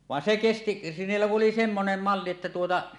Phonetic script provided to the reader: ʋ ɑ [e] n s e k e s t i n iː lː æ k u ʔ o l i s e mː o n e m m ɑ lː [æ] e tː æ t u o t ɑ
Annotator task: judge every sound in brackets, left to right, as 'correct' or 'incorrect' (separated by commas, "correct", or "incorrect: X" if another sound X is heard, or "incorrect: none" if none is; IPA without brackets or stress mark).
correct, incorrect: i